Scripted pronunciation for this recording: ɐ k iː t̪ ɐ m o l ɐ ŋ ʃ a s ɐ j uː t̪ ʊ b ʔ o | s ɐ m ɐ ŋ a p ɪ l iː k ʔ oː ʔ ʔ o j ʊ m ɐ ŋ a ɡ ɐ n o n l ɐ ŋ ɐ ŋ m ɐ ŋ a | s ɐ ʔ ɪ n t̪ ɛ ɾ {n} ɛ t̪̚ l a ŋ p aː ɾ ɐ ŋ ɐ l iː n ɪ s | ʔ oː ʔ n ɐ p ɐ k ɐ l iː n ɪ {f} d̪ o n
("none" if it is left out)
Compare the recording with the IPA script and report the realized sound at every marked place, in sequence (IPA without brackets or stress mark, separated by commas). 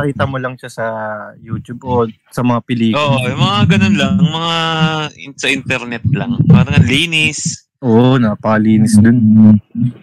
n, s